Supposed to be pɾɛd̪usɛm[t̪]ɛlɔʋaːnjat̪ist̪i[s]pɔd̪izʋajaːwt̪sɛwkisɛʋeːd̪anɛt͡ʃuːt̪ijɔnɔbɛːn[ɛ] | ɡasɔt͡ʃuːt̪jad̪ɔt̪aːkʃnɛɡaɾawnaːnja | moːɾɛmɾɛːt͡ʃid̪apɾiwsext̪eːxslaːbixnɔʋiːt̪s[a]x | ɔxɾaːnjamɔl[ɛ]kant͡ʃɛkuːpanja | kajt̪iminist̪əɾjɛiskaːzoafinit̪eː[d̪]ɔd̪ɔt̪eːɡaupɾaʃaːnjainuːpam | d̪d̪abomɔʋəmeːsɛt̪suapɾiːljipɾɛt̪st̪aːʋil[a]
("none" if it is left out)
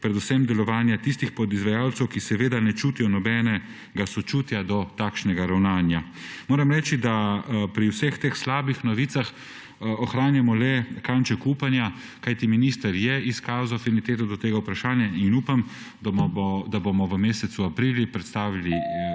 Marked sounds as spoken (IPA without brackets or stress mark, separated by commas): d̪, x, ɛ, a, ɛ, t̪, i